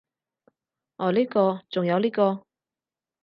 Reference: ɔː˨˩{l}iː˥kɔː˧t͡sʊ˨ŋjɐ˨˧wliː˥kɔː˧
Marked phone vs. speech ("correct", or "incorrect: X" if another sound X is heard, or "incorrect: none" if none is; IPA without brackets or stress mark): correct